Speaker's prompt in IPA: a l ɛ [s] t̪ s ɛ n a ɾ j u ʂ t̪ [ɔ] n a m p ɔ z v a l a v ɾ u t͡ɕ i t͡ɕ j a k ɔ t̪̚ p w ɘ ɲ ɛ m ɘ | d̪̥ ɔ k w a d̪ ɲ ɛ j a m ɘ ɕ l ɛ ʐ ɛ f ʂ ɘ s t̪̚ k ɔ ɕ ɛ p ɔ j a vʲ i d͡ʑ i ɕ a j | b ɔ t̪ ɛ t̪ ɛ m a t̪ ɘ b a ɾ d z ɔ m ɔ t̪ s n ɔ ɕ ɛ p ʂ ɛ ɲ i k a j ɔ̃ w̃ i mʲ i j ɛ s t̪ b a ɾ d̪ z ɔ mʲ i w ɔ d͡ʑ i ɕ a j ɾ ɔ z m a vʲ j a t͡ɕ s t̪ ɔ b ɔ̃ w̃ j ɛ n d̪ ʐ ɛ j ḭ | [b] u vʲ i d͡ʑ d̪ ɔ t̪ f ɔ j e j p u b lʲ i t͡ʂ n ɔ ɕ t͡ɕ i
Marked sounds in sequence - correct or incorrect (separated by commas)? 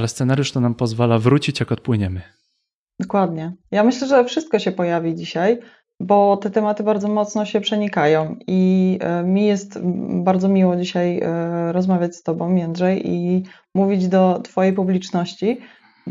correct, correct, incorrect